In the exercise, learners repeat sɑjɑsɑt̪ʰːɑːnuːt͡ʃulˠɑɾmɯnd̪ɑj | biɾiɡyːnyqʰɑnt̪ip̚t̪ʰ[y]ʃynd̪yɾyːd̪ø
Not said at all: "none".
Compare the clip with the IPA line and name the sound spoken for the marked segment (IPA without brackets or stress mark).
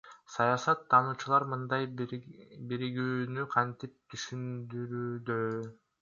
y